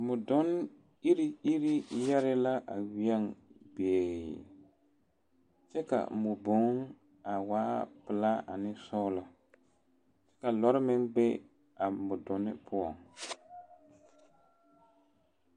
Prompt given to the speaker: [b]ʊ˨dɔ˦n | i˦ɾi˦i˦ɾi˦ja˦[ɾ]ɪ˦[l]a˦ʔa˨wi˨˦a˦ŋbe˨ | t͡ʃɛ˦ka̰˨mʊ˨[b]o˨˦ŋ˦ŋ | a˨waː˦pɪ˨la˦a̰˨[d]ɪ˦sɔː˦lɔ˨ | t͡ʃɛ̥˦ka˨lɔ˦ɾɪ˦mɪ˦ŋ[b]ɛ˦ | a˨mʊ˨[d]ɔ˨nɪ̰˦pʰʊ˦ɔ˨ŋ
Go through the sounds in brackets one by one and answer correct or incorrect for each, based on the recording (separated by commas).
incorrect, correct, correct, correct, incorrect, correct, correct